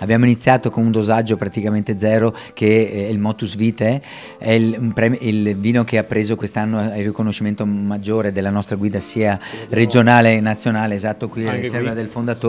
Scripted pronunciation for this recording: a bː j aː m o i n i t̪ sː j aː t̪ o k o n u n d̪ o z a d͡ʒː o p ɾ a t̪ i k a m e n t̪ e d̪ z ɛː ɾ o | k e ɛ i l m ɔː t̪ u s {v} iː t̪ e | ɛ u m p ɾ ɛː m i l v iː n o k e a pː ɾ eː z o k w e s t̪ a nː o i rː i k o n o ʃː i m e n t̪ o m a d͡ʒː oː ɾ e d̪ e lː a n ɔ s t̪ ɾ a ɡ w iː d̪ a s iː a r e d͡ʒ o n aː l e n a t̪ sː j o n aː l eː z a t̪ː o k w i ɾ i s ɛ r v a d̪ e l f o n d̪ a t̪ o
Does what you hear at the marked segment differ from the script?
no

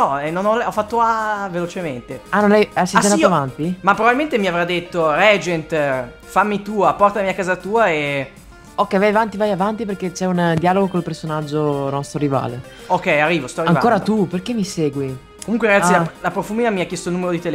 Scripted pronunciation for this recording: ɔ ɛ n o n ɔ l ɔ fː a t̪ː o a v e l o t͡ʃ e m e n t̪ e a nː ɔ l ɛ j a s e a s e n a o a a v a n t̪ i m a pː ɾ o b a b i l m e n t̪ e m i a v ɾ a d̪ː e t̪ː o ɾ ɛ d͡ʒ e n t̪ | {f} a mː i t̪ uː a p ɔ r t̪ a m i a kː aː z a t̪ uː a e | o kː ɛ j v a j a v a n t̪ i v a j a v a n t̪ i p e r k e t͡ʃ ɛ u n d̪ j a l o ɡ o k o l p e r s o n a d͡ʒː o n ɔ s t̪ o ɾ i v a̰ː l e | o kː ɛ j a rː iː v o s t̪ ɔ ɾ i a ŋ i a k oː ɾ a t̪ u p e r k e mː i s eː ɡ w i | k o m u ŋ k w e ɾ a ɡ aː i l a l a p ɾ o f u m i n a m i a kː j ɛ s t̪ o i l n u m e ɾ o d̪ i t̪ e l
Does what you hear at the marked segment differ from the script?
no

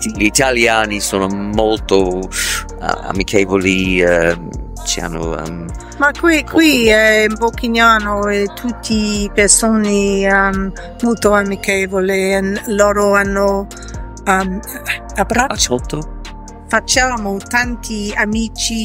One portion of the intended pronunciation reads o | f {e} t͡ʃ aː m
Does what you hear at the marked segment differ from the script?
yes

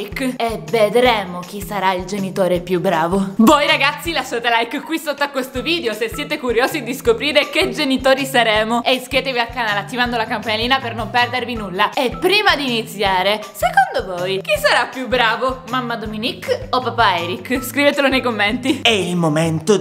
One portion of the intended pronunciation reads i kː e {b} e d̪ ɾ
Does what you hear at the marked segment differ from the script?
yes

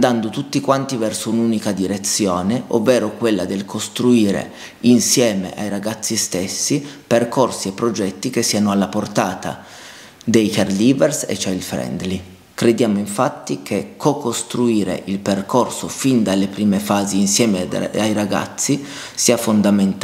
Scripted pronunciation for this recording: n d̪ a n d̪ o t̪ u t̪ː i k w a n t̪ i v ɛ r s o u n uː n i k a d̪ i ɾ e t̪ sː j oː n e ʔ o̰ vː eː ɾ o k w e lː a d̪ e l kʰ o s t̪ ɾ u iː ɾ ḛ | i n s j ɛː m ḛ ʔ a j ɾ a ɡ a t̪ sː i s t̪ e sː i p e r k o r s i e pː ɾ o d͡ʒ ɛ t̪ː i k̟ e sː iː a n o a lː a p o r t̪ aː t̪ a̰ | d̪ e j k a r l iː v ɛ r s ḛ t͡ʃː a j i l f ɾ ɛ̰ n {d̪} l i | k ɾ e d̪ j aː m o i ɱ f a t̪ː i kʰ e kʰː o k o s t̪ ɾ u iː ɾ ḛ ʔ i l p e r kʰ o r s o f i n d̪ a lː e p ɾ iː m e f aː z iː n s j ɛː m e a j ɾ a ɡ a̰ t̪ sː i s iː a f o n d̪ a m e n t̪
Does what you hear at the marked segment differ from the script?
no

